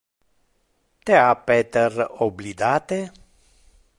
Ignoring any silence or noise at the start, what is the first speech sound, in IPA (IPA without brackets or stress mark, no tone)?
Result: t̪